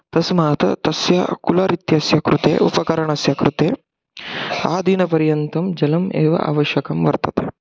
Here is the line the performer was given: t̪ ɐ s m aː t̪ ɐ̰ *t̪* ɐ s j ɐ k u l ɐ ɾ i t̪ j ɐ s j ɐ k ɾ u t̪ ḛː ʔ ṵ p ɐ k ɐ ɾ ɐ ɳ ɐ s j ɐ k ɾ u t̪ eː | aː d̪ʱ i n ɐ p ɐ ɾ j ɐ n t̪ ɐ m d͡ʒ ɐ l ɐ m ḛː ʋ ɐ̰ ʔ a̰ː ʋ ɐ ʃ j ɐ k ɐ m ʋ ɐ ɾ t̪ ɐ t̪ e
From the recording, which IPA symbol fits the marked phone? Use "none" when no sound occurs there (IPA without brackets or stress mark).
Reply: t̪